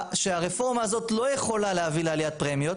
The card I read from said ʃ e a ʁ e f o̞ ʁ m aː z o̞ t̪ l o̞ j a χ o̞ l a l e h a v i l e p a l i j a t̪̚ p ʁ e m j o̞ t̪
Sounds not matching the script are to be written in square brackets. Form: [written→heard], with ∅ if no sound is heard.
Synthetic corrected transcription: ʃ e a ʁ e f o̞ ʁ m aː z o̞ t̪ l o̞ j [a→e] χ o̞ l a l e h a v i l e [p→∅] a l i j a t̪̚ p ʁ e m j o̞ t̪